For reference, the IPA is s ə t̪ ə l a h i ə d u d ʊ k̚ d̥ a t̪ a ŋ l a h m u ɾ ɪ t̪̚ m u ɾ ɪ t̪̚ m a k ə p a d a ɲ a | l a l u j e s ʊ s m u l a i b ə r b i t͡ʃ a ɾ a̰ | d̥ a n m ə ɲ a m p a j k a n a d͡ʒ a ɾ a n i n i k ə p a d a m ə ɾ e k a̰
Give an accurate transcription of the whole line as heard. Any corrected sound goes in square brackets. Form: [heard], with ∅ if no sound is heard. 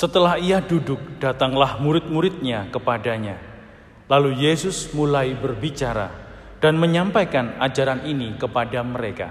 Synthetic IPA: s ə t̪ ə l a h i [a] d u d ʊ k̚ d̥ a t̪ a ŋ l a h m u ɾ ɪ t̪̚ m u ɾ ɪ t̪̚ [ɲ] a k ə p a d a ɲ a | l a l u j e s ʊ s m u l a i b ə r b i t͡ʃ a ɾ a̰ | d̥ a n m ə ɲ a m p a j k a n a d͡ʒ a ɾ a n i n i k ə p a d a m ə ɾ e k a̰